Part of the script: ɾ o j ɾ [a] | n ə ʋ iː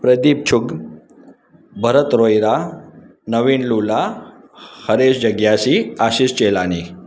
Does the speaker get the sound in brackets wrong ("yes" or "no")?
no